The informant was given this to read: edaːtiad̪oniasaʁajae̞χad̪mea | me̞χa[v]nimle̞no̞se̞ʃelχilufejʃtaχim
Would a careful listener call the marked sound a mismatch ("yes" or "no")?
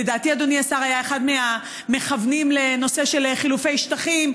no